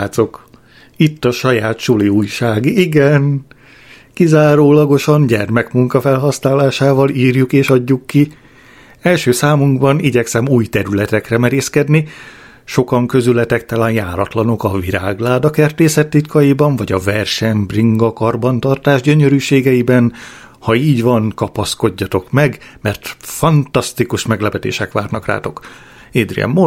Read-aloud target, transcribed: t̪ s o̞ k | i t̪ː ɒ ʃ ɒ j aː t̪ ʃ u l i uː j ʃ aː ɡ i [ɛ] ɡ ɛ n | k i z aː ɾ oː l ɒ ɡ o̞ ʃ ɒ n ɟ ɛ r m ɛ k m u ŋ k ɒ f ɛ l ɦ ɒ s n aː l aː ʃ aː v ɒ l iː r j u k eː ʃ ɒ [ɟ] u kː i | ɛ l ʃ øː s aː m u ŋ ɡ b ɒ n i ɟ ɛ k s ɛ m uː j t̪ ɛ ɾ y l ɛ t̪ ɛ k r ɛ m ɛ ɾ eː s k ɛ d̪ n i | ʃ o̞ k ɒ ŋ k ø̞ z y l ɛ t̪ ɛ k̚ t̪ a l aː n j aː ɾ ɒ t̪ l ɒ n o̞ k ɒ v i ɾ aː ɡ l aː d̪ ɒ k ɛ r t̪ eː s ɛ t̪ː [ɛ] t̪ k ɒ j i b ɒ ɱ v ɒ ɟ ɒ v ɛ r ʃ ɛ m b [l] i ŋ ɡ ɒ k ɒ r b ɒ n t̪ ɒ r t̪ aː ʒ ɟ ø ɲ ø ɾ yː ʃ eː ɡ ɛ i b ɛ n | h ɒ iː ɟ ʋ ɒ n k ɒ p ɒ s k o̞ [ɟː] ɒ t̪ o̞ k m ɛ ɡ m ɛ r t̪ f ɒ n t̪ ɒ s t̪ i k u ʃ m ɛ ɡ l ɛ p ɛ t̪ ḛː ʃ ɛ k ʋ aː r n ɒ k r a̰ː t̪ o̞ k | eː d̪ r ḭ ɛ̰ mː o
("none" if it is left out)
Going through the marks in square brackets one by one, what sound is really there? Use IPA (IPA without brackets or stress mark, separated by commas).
i, ɟː, i, r, ɟː